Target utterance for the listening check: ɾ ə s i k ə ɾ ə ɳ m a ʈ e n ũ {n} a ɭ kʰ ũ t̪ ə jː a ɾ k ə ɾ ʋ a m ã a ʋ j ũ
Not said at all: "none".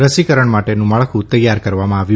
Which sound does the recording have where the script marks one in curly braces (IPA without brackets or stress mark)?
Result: m